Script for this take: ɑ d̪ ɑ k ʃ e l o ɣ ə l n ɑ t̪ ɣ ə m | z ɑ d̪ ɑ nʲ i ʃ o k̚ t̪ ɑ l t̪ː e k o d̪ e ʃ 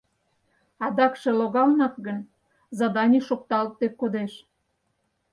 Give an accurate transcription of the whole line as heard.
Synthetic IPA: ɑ d̪ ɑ k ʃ e l o ɣ ɑ l n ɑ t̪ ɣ ə n | z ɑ d̪ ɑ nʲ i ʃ o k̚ t̪ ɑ l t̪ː e k o d̪ e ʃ

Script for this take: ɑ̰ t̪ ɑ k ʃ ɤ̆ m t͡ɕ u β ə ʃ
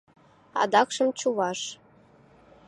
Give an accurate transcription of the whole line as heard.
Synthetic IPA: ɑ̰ d̪ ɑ k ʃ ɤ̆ m t͡ɕ u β ɑ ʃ

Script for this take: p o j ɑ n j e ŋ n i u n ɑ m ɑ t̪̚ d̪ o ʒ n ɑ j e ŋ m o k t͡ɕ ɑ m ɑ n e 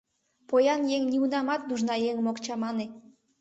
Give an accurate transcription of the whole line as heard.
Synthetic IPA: p o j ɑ n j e ŋ n i u n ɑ m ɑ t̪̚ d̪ u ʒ n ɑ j e ŋ m o k t͡ɕ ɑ m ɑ n e

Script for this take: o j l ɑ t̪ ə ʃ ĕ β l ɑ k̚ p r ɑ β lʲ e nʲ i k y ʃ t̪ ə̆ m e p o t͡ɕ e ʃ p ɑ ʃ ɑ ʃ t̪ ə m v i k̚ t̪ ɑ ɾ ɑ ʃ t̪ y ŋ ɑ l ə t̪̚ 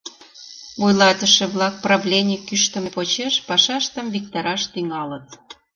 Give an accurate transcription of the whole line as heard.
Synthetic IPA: o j l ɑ t̪ ə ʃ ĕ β l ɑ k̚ p r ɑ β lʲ e nʲ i k y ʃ t̪ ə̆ m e p o t͡ɕ e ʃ p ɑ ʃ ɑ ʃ t̪ ə m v i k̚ t̪ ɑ ɾ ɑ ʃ t̪ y ŋ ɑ l ə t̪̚

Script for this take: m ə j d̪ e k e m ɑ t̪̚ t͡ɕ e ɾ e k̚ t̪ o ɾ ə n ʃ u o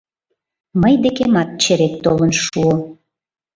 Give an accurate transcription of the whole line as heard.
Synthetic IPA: m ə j d̪ e k e m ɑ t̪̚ t͡ɕ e ɾ e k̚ t̪ o l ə n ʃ u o

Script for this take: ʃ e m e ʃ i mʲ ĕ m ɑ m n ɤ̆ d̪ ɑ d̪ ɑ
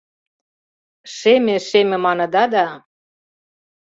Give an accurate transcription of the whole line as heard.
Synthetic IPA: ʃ e m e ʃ e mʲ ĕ m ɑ n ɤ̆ d̪ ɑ d̪ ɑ

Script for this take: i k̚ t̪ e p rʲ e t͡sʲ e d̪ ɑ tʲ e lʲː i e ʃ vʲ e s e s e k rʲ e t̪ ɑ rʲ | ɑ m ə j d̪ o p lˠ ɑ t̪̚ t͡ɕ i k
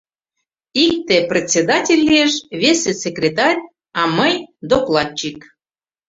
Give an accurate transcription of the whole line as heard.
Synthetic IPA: i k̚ t̪ e p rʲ e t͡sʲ e d̪ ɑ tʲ e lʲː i e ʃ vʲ e s e s e k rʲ e t̪ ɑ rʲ | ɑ m ə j d̪ o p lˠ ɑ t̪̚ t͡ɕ i k

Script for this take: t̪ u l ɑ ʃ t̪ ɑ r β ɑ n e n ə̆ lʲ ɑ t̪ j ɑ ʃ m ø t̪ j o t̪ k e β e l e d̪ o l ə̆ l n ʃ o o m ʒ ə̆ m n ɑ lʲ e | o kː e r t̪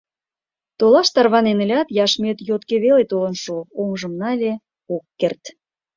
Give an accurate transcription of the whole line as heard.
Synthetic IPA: t̪ o l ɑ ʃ t̪ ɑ r β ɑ n e n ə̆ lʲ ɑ t̪ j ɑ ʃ m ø t̪ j o t̪ k e β e l e t̪ o l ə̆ n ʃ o o m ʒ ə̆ m n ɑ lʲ e | o kː e r t̪

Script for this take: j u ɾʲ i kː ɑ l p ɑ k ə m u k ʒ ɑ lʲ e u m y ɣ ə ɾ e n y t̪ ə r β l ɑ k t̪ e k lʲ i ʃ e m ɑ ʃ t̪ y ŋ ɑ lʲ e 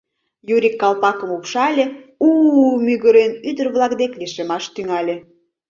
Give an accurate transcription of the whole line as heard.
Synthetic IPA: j u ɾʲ i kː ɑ l p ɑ k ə m u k ʃ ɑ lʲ e u m y ɣ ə ɾ e n y d̪ ə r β l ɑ k d̪ e k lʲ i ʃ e m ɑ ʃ t̪ y ŋ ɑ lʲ e

